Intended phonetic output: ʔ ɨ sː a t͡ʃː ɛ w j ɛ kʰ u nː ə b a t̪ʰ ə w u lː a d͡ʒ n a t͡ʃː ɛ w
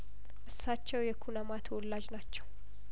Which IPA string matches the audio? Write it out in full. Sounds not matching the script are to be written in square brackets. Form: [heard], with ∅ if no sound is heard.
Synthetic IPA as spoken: ʔ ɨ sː a t͡ʃː ɛ w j ɛ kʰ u [n] ə [m] a t̪ʰ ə w [ɔ] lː a d͡ʒ n a t͡ʃː ɛ w